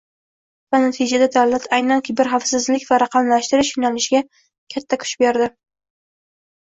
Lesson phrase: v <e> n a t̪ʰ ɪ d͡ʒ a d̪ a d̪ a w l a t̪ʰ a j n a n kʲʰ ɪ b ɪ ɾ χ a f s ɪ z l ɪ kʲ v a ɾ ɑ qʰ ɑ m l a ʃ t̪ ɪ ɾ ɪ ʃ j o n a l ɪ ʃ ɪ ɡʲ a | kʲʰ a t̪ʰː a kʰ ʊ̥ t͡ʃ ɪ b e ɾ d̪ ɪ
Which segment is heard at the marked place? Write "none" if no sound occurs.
a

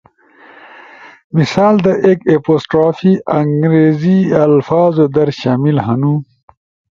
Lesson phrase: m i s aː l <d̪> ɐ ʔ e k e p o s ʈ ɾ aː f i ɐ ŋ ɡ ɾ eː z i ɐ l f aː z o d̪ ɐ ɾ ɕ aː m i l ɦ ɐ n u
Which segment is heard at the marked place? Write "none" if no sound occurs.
d̪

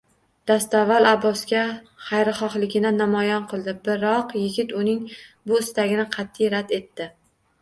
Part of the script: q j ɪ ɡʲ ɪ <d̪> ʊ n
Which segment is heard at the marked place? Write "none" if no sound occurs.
t̪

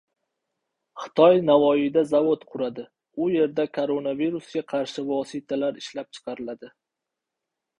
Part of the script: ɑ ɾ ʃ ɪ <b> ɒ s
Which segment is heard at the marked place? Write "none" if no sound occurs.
v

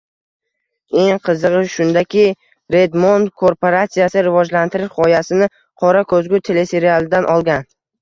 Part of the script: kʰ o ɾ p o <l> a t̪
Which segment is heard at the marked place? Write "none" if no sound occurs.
ɾ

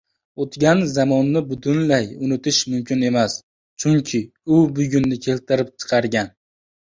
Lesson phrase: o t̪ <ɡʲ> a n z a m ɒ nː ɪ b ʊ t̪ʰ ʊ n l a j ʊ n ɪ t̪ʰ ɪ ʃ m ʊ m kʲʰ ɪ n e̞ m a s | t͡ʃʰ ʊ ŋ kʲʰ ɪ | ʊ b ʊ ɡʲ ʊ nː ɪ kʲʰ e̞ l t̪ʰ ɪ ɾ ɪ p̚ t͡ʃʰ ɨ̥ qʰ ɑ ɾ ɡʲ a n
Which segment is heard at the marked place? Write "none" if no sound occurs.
ɡʲ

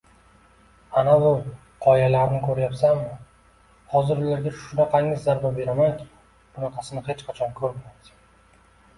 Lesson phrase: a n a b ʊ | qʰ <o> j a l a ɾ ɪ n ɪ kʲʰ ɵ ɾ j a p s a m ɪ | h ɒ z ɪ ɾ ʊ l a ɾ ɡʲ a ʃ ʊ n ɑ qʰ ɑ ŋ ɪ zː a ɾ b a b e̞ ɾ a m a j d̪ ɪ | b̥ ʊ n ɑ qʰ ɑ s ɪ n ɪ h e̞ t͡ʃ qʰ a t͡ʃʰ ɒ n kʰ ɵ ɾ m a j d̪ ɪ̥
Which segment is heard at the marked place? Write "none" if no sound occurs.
ɒ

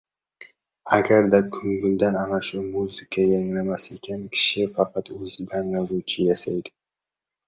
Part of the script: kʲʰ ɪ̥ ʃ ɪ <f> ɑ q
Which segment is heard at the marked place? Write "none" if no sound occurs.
f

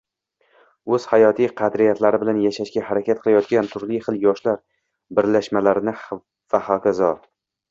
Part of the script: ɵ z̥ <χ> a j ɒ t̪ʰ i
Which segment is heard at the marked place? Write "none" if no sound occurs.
h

